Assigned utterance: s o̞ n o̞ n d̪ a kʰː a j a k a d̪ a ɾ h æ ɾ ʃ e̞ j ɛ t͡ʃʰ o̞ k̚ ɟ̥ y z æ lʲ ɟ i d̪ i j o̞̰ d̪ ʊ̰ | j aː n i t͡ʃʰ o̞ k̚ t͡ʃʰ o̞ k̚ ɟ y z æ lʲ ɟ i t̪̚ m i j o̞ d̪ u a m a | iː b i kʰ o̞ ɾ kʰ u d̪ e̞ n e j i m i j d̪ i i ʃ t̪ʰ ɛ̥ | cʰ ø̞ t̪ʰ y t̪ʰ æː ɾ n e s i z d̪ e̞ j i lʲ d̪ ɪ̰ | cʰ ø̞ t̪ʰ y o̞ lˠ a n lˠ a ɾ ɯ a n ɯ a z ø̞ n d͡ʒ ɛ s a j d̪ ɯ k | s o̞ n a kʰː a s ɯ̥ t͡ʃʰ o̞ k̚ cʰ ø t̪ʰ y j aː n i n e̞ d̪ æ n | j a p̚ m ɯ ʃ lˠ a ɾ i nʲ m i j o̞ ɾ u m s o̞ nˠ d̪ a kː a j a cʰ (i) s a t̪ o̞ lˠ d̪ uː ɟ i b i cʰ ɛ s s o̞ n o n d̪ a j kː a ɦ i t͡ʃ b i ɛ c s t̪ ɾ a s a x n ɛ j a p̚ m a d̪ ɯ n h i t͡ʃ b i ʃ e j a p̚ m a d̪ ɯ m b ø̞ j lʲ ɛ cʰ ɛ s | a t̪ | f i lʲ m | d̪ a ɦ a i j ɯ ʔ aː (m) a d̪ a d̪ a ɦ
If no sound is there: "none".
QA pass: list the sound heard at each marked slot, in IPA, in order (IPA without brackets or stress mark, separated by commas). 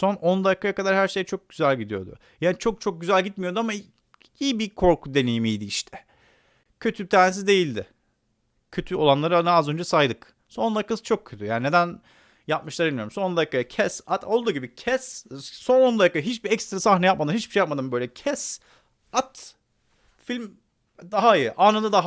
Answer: ɛ, n